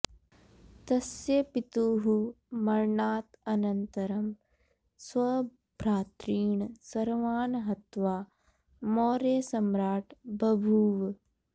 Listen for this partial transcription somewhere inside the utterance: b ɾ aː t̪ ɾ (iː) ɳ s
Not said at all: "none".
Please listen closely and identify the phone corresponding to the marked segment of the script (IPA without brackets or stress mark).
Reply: iː